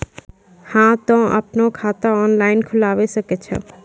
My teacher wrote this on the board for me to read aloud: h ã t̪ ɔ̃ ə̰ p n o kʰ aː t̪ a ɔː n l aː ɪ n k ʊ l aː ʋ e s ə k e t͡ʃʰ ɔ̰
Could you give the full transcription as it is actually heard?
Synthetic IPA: h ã t̪ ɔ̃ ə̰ p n o kʰ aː t̪ a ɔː n l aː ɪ n kʰ ʊ l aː ʋ e s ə k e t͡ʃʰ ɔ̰